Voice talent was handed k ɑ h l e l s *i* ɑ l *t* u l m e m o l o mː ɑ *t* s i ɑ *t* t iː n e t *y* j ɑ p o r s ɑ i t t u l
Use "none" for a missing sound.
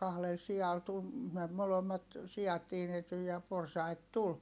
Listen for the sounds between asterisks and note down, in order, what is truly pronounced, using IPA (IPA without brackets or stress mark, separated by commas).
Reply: i, t, t, t, y